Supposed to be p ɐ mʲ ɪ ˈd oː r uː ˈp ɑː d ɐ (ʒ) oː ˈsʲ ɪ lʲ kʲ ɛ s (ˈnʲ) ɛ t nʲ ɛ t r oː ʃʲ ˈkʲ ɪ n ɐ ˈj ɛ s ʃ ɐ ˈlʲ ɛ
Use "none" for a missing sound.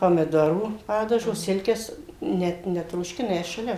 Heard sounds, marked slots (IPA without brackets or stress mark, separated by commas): ʒ, nʲ